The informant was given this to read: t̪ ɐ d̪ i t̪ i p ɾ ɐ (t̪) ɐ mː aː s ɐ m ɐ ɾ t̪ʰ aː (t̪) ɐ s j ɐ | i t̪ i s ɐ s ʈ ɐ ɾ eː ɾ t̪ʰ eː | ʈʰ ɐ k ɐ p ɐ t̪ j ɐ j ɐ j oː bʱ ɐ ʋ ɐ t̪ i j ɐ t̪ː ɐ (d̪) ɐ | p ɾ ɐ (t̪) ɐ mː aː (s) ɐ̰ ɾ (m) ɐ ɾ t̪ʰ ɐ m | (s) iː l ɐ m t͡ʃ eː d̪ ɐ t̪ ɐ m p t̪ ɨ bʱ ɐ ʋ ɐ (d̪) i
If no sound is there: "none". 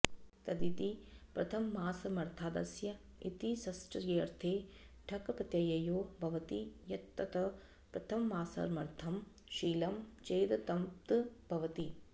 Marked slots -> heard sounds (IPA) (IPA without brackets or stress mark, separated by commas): t̪ʰ, d̪, t̪, t̪ʰ, s, m, ʃ, t̪